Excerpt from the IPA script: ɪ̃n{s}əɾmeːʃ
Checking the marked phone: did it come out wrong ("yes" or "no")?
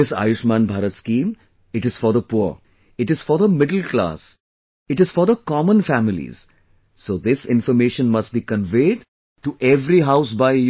yes